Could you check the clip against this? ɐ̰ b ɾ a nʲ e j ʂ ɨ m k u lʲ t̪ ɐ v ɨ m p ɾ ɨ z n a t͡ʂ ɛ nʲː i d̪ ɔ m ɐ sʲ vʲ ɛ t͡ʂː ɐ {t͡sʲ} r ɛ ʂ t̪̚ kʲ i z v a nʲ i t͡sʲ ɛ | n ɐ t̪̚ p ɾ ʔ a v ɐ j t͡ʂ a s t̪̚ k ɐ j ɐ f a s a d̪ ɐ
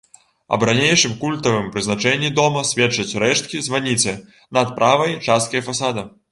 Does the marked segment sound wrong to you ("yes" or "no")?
no